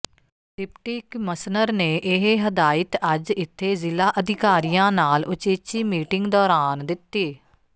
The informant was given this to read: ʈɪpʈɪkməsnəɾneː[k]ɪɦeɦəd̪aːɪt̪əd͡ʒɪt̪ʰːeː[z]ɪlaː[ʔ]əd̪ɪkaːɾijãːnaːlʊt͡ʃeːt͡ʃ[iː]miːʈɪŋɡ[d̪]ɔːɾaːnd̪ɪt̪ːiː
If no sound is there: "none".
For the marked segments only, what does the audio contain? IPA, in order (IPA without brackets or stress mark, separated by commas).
ʔ, z, ʔ, iː, d̪